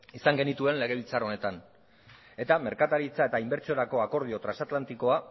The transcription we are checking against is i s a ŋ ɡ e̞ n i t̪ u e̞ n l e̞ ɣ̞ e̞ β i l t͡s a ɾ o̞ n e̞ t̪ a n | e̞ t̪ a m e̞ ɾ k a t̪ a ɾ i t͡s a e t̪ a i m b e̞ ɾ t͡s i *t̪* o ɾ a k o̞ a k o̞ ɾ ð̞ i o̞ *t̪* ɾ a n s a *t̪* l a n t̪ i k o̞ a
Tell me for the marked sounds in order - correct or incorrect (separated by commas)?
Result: incorrect, correct, correct